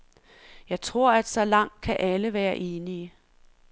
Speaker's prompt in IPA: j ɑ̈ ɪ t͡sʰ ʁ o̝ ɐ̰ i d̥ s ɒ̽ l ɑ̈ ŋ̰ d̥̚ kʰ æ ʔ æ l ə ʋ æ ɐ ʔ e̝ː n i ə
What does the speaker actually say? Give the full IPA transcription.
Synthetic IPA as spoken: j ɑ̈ ɪ t͡sʰ ʁ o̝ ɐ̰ æ d̥ s ɒ̽ l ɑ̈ ŋ̰ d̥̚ kʰ æ ʔ æ l ə ʋ æː ɐ ʔ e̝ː n i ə